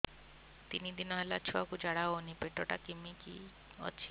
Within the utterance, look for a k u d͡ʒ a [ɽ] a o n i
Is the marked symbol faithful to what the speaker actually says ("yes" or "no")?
yes